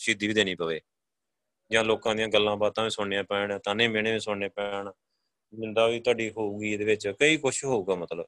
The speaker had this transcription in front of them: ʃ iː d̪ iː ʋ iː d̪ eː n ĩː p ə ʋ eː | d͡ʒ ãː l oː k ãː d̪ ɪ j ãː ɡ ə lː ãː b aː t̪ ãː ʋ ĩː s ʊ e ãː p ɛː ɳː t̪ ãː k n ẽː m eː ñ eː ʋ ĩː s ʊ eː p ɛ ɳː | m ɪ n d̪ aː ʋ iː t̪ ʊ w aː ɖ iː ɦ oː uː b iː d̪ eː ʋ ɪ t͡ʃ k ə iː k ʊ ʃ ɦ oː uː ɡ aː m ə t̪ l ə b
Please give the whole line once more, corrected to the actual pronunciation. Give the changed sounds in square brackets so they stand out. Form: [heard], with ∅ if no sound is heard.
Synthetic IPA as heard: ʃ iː d̪ iː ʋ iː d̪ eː n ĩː p ə ʋ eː | d͡ʒ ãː l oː k ãː d̪ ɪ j ãː ɡ ə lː ãː b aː t̪ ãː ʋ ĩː s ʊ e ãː p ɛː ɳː t̪ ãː [∅] n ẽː m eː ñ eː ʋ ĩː s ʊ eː p ɛ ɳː | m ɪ n d̪ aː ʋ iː t̪ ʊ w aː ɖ iː ɦ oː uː [ɡ] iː d̪ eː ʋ ɪ t͡ʃ k ə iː k ʊ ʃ ɦ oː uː ɡ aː m ə t̪ l ə b